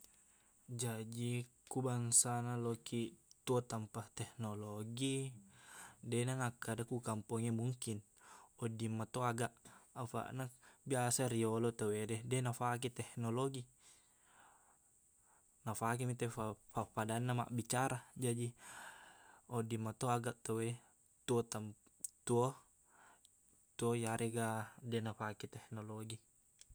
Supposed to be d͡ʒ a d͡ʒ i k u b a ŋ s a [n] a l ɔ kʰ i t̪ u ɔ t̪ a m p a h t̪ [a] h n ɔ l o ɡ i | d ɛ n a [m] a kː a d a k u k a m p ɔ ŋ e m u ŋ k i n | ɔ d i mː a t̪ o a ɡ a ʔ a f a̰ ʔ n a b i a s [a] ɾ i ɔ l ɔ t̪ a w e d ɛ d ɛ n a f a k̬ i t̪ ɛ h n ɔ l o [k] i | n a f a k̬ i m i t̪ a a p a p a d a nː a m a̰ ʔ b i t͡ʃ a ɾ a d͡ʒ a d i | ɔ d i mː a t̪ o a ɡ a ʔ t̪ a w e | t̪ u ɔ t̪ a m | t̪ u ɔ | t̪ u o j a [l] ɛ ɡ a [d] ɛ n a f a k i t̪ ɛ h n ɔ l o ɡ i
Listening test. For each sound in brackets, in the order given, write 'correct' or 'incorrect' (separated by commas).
correct, incorrect, incorrect, correct, incorrect, incorrect, correct